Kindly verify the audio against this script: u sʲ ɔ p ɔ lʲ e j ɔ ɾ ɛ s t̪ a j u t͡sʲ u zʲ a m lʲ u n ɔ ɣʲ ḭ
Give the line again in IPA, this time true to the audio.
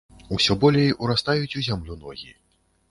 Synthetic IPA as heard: u sʲ ɔ b ɔ lʲ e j u ɾ a s t̪ a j u t͡sʲ u zʲ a m lʲ u n ɔ ɣʲ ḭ